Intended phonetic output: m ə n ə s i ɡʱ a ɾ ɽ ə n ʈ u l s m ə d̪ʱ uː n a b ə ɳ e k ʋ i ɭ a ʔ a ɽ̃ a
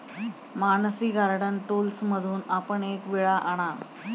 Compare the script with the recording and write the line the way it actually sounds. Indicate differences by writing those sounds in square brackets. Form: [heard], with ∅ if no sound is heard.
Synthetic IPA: m [a] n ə s i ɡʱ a ɾ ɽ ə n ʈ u l s m ə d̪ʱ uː n a [p] ə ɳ e k ʋ i ɭ a ʔ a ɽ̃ a